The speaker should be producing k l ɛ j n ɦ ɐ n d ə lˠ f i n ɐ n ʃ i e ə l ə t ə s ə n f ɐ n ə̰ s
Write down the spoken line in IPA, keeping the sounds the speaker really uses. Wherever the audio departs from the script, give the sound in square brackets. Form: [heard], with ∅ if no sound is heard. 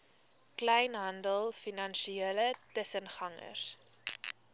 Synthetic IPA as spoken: k l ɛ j n ɦ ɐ n d ə lˠ f i n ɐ n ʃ i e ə l ə t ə s ə n [χ] ɐ [ŋ] ə̰ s

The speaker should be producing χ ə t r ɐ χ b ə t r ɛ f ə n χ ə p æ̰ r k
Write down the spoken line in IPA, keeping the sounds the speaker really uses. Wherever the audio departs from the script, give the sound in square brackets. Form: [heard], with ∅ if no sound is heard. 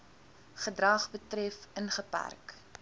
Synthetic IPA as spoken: χ ə [d] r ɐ χ b ə t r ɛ f ə n χ ə p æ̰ r k

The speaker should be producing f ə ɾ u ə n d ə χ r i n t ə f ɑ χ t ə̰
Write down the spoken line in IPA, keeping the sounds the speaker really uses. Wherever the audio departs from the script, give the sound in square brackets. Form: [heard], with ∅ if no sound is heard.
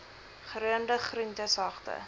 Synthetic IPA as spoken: [χ] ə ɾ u ə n d ə χ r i n t ə [s] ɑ χ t ə̰

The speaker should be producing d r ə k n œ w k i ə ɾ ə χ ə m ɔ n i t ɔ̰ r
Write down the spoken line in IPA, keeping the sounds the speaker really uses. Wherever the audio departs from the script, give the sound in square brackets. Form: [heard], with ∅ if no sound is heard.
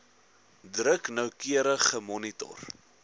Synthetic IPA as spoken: d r ə k n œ w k i ə ɾ ə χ ə m ɔ n i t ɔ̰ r

